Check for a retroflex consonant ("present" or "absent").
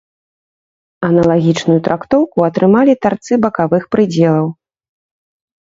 present